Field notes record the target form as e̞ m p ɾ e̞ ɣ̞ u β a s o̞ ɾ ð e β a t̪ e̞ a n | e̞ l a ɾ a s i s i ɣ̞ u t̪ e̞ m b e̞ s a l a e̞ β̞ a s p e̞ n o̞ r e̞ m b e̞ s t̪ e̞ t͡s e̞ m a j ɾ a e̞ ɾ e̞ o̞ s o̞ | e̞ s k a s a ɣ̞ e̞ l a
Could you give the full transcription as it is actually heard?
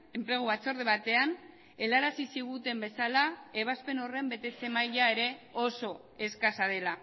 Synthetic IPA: e̞ m p ɾ e̞ ɣ̞ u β a t͡s o̞ ɾ ð e β a t̪ e̞ a n | e̞ l a ɾ a s i s i ɣ̞ u t̪ e̞ m b e̞ s a l a e̞ β̞ a s p e̞ n o̞ r e̞ m b e̞ t̪ e̞ t͡s e̞ m a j ʎ a e̞ ɾ e̞ o̞ s o̞ | e̞ s k a s a ð̞ e̞ l a